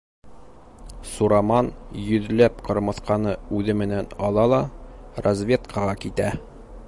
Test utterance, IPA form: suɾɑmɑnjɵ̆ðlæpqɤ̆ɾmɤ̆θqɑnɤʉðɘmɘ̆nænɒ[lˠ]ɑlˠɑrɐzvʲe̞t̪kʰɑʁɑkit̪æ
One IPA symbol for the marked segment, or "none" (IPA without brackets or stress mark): lˠ